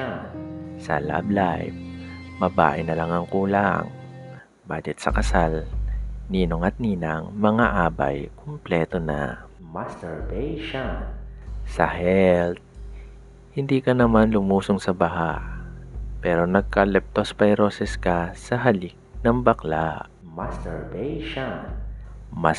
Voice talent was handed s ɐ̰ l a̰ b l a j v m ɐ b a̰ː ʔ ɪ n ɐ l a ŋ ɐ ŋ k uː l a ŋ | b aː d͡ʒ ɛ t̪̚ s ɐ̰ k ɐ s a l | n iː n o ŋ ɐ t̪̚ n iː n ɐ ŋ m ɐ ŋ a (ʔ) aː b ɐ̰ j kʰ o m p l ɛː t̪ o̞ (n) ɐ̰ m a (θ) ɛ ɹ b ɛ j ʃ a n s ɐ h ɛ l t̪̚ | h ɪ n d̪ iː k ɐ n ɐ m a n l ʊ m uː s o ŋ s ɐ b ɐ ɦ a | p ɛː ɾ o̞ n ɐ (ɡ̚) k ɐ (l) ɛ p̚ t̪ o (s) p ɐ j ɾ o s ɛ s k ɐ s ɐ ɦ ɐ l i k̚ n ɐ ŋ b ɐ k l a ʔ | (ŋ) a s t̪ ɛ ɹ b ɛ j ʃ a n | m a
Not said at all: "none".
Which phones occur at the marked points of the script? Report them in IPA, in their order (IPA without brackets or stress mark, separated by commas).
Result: ʔ, n, s, ɡ̚, l, s, m